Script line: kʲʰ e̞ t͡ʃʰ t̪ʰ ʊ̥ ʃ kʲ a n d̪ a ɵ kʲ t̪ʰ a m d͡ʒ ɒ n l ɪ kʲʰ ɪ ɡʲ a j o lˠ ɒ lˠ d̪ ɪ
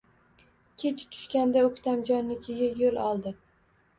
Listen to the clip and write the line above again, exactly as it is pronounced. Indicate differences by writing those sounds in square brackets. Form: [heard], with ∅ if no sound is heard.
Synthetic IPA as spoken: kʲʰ e̞ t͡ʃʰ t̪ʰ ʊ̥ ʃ kʲ a n d̪ a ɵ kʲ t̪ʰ a m d͡ʒ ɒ n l ɪ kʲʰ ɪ ɡʲ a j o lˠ ɒ lˠ d̪ ɪ